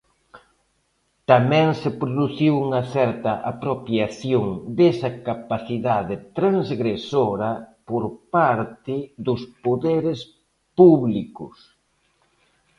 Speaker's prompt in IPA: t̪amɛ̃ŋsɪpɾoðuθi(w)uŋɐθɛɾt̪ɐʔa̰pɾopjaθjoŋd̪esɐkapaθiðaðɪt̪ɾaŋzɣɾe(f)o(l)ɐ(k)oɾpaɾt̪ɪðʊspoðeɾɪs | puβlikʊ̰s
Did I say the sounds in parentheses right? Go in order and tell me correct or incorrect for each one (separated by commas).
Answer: correct, incorrect, incorrect, incorrect